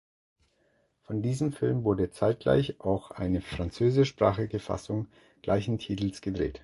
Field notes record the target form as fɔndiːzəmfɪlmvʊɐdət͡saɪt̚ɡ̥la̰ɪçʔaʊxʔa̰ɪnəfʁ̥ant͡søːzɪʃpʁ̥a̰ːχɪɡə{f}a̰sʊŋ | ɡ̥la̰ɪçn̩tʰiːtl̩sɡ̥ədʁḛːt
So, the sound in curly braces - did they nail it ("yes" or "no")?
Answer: yes